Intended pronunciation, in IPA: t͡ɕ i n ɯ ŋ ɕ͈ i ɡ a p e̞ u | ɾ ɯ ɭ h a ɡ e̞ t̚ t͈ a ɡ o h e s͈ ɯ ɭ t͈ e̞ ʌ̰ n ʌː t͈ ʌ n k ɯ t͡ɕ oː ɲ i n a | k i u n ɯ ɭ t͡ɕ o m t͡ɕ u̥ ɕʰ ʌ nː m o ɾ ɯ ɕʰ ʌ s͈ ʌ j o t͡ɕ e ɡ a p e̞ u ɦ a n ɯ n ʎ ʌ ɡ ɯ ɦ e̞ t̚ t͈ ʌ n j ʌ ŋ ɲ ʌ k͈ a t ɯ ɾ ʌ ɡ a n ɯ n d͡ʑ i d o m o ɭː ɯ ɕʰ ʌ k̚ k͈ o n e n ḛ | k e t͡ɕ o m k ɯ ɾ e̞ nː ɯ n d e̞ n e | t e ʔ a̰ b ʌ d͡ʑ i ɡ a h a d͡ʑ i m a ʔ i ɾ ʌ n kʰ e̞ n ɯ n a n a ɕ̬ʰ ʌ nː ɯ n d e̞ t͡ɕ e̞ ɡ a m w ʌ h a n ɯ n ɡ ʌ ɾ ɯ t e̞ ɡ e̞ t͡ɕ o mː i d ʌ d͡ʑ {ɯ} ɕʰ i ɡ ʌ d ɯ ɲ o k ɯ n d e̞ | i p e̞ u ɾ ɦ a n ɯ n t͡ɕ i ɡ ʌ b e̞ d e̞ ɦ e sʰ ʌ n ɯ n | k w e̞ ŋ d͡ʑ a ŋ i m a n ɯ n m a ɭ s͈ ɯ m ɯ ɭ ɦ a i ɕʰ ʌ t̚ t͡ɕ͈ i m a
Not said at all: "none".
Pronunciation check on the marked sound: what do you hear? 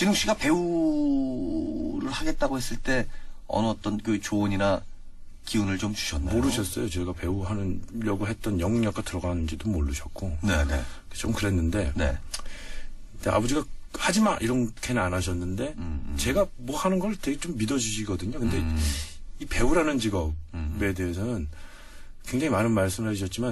u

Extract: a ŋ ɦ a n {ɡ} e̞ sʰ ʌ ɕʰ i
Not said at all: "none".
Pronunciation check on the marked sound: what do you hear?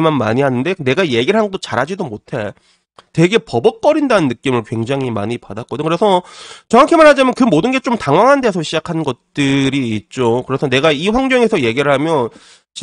d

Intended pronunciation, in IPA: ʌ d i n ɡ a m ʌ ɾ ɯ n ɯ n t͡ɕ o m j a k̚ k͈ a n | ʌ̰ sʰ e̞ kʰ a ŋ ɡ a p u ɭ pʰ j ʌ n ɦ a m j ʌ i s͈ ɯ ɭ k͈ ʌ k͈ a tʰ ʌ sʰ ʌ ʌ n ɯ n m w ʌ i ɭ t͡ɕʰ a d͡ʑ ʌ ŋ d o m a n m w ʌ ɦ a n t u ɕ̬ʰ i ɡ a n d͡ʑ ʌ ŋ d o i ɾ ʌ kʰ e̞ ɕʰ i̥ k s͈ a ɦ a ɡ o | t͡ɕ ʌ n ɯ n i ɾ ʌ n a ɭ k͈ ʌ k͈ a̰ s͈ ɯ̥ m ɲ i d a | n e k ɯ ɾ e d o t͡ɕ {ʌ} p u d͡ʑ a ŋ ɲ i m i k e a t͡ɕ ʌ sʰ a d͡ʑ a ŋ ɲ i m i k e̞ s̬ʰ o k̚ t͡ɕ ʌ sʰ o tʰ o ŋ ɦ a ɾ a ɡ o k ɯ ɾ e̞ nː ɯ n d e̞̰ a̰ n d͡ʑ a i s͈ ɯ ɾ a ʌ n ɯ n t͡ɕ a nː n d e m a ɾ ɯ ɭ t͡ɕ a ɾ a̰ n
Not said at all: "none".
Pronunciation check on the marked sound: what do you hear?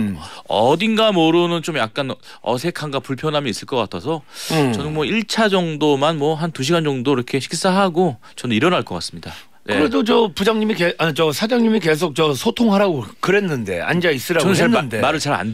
ʌ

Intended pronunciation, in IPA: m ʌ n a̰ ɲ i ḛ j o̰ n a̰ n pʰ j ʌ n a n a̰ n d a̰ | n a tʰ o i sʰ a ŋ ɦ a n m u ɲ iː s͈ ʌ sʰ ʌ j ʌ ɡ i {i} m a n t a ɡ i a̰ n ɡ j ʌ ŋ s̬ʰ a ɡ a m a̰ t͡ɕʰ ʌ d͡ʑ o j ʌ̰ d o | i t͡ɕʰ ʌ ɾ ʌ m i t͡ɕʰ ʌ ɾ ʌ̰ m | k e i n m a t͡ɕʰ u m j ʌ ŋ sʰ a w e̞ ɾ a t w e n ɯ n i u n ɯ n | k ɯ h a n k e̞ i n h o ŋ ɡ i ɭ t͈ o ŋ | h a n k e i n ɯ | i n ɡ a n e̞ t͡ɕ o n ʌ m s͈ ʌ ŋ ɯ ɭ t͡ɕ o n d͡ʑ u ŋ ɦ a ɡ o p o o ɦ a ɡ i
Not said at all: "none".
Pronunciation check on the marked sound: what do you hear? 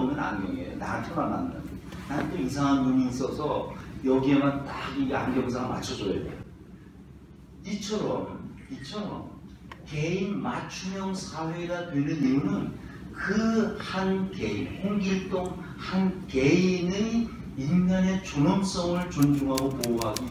e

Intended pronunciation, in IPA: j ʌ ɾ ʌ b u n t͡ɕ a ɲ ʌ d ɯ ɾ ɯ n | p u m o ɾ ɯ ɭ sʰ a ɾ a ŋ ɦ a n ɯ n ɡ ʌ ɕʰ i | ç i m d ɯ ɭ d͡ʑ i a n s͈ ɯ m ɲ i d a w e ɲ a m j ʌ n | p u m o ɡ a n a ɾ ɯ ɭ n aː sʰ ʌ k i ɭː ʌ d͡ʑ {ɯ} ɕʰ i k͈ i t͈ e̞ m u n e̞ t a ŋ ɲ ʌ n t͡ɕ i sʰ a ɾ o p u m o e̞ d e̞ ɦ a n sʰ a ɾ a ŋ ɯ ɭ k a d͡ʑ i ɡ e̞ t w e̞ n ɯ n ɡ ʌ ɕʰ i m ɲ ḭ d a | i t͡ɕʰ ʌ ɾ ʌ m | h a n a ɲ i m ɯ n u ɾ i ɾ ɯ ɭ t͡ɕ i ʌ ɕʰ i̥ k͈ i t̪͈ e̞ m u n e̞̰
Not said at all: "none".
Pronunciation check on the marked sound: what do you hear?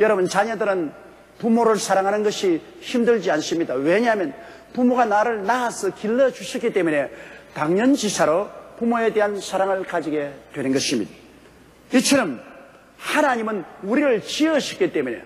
u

